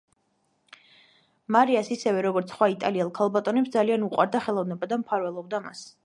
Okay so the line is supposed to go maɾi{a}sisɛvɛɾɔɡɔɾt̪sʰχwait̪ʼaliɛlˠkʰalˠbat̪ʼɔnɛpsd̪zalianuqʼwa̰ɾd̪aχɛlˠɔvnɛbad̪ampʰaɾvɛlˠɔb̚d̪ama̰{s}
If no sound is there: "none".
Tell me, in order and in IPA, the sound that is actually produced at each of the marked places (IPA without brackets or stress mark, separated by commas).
a, s